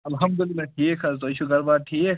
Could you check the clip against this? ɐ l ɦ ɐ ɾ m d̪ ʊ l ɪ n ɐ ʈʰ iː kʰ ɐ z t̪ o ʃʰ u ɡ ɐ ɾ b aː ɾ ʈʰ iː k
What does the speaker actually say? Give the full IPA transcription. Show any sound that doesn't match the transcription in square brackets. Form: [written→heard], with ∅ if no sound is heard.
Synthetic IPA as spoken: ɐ l ɦ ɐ [ɾ→∅] m d̪ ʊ l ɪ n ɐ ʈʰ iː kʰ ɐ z t̪ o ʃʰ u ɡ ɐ ɾ b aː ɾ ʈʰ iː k